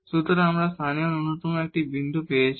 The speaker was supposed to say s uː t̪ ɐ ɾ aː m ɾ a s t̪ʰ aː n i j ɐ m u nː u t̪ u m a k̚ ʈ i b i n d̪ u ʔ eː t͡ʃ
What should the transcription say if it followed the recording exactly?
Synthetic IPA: s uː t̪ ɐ ɾ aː m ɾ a s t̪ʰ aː n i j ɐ n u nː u t̪ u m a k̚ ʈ i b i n d̪ u p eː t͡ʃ